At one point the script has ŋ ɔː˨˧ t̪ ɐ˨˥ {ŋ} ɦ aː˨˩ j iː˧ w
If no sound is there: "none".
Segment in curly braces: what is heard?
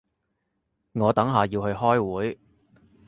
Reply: ŋ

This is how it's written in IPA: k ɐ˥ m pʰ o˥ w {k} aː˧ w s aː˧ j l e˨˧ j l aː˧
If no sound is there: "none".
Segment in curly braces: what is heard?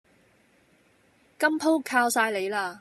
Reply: kʰ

